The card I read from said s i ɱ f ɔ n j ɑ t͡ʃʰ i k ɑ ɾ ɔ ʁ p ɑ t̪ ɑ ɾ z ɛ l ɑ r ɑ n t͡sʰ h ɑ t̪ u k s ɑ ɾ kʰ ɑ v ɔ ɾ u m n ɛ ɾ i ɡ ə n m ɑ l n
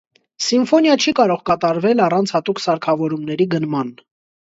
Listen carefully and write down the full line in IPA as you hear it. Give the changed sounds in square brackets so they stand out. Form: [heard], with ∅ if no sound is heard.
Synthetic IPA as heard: s i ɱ f ɔ n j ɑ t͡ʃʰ i k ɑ ɾ ɔ ʁ [k] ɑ t̪ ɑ ɾ [v] ɛ l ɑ r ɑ n t͡sʰ h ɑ t̪ u k s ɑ ɾ kʰ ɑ v ɔ ɾ u m n ɛ ɾ i ɡ ə n m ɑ [∅] n